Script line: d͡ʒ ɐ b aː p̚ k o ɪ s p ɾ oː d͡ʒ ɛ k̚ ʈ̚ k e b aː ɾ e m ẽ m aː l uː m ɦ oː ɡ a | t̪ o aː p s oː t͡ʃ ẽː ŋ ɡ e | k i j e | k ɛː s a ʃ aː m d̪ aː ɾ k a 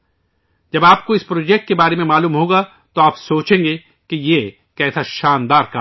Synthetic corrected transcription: d͡ʒ ɐ b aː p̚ k o ɪ s p ɾ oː d͡ʒ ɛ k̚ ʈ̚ k e b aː ɾ e m ẽ m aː l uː m ɦ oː ɡ a | t̪ o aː p s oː t͡ʃ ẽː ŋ ɡ e | k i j e | k ɛː s a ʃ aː n d̪ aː ɾ k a